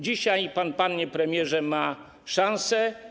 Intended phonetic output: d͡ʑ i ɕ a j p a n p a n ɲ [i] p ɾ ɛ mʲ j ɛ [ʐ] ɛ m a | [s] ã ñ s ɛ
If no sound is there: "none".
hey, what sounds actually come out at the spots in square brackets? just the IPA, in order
ɛ, ʐ, ʂ

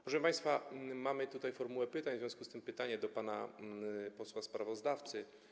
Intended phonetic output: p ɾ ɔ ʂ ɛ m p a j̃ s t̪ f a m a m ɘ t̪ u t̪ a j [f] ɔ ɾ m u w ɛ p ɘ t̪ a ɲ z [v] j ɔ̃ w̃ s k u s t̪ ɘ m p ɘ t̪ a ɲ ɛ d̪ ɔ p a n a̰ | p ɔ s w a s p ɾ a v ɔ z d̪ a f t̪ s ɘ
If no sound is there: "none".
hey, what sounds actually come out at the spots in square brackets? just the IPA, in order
f, v

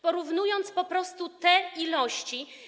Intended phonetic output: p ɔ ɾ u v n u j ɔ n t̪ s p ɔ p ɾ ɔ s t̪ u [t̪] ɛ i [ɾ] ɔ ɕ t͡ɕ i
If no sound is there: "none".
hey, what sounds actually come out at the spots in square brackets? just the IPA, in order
t̪, l

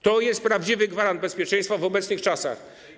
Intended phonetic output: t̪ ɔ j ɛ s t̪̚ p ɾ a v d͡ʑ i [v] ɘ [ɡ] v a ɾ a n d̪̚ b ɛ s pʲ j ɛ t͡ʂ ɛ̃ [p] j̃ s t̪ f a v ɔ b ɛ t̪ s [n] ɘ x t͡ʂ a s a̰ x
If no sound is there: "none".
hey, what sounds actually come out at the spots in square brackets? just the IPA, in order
v, ɡ, none, n

